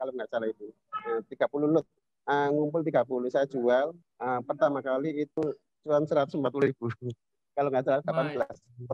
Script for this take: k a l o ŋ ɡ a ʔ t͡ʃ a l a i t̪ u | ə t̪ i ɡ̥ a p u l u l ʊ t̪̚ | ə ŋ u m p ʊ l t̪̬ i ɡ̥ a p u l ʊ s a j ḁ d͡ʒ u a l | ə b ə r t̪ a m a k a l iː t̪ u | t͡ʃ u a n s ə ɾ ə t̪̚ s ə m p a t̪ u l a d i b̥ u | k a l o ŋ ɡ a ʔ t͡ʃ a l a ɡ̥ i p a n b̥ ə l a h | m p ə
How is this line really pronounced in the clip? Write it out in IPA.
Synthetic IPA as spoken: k a l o ŋ ɡ a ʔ t͡ʃ a l a i t̪ u | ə t̪ i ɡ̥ a p u l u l ʊ t̪̚ | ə ŋ u m p ʊ l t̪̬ i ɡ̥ a p u l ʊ s a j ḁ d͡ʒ u a l | ə p ə r t̪ a m a k a l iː t̪ u | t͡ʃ u a n s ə ɾ a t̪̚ s ə m p a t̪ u l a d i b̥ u | k a l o ŋ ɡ a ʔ t͡ʃ a l a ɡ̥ a p a n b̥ ə l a s | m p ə